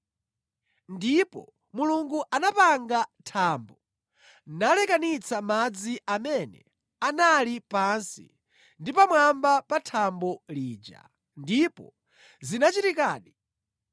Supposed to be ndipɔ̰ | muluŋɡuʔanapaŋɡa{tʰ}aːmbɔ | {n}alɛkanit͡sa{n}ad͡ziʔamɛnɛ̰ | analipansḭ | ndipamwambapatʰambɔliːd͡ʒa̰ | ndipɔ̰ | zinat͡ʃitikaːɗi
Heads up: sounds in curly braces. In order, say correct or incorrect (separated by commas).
correct, correct, incorrect